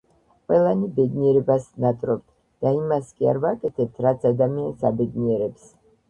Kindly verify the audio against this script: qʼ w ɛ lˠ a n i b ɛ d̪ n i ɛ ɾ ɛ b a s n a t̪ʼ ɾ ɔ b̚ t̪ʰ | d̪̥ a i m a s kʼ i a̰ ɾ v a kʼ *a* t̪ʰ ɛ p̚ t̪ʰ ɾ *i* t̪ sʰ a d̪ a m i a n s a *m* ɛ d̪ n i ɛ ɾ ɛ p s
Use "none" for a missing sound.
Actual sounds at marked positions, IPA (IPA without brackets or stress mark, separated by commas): ɛ, a, b